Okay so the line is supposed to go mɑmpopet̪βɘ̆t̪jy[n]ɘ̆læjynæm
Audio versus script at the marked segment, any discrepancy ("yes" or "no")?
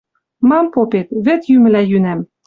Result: yes